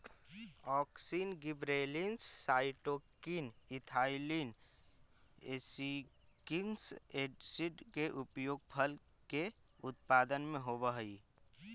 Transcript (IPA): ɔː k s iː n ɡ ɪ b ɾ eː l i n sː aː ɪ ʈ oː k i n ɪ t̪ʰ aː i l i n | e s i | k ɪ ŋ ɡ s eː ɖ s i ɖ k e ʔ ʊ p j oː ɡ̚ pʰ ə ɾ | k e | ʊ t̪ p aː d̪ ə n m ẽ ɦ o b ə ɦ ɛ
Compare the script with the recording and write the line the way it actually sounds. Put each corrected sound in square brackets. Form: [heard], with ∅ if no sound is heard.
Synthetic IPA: ɔː k s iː n ɡ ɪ b ɾ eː l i n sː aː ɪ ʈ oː k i n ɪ t̪ʰ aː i l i n | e s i | k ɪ ŋ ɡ s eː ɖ s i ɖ k e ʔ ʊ p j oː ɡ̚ pʰ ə [l] | k e | ʊ t̪ p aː d̪ ə n m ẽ ɦ o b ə ɦ [i]

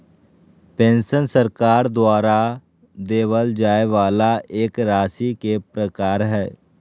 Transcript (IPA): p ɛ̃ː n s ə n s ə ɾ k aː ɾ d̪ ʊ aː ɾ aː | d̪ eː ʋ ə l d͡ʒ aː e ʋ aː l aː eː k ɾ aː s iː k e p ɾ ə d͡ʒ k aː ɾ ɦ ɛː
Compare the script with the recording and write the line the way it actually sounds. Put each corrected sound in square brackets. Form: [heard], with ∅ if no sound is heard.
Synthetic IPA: p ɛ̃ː n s ə n s ə ɾ k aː ɾ d̪ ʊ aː ɾ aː | d̪ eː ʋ ə l d͡ʒ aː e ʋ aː l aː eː k ɾ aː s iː k e p ɾ ə [∅] k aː ɾ ɦ ɛː

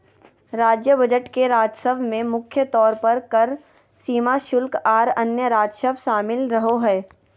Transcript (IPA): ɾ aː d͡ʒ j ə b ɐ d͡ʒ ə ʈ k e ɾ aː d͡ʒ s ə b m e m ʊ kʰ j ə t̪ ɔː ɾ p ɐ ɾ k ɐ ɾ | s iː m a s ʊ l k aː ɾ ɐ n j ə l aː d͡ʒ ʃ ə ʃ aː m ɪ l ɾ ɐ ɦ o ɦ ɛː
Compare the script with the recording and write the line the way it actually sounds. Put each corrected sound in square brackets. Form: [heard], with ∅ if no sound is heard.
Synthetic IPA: ɾ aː d͡ʒ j ə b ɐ d͡ʒ ə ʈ k e ɾ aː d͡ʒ s ə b m [ẽ] m ʊ kʰ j ə t̪ ɔː ɾ p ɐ ɾ k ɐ ɾ | s iː m a [ʃ] ʊ l k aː ɾ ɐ n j ə [ɾ] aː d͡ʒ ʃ ə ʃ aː m ɪ l ɾ ɐ ɦ o ɦ ɛː

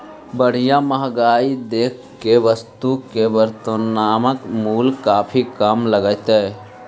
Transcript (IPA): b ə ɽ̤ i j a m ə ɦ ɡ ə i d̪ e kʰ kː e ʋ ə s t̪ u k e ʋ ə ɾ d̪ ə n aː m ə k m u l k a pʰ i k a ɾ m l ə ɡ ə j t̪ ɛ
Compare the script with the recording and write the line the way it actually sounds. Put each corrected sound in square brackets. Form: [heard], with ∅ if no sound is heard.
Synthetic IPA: b ə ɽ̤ i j a m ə ɦ ɡ [a] i d̪ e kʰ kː e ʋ ə s t̪ u k e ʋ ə ɾ [t̪] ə n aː m ə k m u l k a pʰ i k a [∅] m l ə ɡ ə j t̪ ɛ

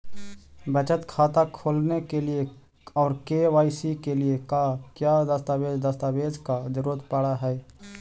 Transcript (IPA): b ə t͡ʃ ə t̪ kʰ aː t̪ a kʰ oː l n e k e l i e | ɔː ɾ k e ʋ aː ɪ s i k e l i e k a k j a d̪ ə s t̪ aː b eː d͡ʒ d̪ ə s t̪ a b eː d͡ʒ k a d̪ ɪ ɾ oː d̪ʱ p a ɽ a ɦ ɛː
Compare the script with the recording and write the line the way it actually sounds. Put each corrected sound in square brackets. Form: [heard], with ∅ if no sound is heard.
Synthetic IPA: b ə t͡ʃ ə t̪ kʰ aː t̪ a kʰ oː l n e k e l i e | ɔː ɾ k e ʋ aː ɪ s i k e l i e k a k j a d̪ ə s t̪ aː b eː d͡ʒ d̪ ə s t̪ a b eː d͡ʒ k a d̪ ɪ ɾ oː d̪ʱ p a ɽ a ɦ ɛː

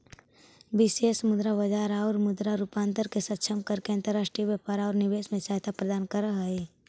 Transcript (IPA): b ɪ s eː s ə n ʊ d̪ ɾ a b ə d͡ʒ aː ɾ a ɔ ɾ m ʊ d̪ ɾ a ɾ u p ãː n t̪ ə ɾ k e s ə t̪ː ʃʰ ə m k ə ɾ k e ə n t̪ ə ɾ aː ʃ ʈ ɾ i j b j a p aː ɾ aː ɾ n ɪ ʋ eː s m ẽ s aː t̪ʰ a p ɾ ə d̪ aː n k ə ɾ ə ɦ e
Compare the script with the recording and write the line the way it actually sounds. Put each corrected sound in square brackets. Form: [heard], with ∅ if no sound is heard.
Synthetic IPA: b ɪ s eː s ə [m] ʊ d̪ ɾ a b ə d͡ʒ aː ɾ a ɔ ɾ m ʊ d̪ ɾ a ɾ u p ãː n t̪ ə ɾ k e s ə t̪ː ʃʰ ə m k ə ɾ k e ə n t̪ ə ɾ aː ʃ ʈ ɾ i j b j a p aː ɾ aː ɾ n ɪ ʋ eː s m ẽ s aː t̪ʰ a p ɾ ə d̪ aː n k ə ɾ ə ɦ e

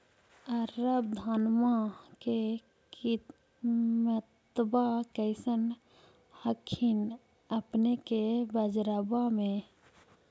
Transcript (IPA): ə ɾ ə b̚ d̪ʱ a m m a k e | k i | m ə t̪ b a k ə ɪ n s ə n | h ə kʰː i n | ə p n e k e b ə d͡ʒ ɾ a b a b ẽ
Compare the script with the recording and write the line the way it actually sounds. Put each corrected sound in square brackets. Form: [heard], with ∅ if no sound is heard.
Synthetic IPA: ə ɾ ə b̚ d̪ʱ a [n] m a k e | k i | m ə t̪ b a k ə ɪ [∅] s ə n | h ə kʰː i n | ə p n e k e b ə d͡ʒ ɾ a b a [m] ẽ

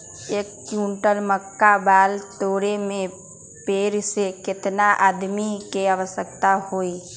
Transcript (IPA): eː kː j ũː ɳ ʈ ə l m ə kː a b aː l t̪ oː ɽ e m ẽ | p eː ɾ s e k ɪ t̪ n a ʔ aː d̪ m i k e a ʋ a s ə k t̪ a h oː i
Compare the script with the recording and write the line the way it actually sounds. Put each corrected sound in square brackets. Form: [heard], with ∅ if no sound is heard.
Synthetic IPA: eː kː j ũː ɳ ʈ ə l m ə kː a b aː l t̪ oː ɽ e m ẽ | p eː ɾ s e k ɪ t̪ n a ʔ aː d̪ m i k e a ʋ [ə] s ə k t̪ a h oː i

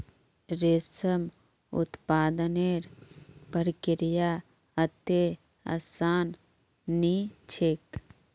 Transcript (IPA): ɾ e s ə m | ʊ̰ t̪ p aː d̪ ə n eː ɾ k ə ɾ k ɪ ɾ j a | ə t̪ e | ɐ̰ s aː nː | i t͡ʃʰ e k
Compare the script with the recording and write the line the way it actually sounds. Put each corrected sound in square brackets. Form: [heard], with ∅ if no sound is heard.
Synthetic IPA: ɾ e s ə m | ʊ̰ t̪ p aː d̪ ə n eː ɾ [p] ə ɾ k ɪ ɾ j a | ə t̪ e | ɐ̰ s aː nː | i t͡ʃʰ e k

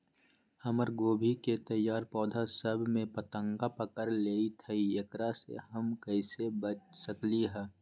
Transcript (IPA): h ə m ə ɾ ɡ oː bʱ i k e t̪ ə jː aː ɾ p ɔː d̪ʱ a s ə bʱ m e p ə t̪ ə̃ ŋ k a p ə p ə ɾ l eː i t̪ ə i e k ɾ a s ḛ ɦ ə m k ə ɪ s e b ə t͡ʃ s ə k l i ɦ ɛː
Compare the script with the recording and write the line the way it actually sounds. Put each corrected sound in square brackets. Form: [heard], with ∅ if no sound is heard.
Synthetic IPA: h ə m ə ɾ ɡ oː bʱ i k e t̪ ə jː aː ɾ p ɔː d̪ʱ a s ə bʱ m [ẽ] p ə t̪ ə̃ ŋ [ɡ] a p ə [k] ə ɾ l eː i [t̪ʰ] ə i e k ɾ a s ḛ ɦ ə m k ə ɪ s e b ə t͡ʃ s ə k l i ɦ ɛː

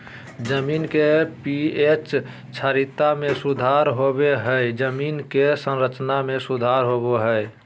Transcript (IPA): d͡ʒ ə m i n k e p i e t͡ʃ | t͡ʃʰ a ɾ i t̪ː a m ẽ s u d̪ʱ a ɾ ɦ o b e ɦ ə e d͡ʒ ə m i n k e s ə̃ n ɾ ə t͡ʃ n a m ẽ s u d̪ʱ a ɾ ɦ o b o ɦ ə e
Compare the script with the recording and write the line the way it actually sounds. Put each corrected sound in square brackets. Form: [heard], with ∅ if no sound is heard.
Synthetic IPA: d͡ʒ ə m i n k e p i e t͡ʃ | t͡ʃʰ a ɾ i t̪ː a m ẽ s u d̪ʱ a ɾ ɦ o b e ɦ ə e d͡ʒ ə m i n k e s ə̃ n ɾ ə t͡ʃ n a m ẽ s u d̪ʱ a ɾ ɦ o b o ɦ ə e

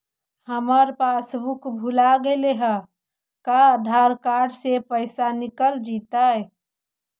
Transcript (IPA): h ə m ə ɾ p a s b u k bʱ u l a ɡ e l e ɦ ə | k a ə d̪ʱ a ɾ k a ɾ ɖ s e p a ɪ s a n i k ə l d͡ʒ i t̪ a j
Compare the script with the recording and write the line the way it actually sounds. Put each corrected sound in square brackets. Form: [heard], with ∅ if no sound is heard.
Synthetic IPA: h ə m ə ɾ p a s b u k bʱ u l a ɡ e l e ɦ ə | k a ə d̪ʱ a ɾ k a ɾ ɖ s e p [ə] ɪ s a n i k ə l d͡ʒ i t̪ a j

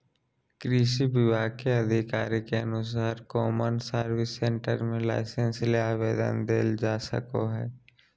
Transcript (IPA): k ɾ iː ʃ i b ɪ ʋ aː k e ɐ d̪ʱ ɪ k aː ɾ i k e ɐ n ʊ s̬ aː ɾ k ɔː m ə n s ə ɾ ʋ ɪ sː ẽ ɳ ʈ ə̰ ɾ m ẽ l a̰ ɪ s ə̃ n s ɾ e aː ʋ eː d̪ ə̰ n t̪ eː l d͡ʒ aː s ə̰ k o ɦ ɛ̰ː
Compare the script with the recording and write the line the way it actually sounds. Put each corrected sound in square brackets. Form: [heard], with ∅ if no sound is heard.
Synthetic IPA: k ɾ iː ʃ i b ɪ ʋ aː k e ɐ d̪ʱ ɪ k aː ɾ i k e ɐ n ʊ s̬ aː ɾ k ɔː m ə n s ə ɾ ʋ ɪ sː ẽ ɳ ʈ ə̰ ɾ m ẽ l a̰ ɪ s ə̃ n s [l] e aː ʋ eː d̪ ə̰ n [d̪] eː l d͡ʒ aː s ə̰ k o ɦ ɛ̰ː

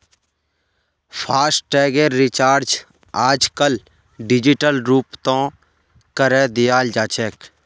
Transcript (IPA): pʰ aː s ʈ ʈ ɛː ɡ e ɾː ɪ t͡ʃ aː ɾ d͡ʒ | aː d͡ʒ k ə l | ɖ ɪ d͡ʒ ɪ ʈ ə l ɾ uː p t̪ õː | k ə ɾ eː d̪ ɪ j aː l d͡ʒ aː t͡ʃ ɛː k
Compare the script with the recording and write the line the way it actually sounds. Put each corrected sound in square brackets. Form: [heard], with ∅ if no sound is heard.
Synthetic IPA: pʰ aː s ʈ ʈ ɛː ɡ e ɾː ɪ t͡ʃ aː ɾ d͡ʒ | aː d͡ʒ k ə l | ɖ ɪ d͡ʒ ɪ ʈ ə l ɾ uː p t̪ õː | k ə ɾ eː d̪ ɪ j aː l d͡ʒ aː t͡ʃ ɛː k

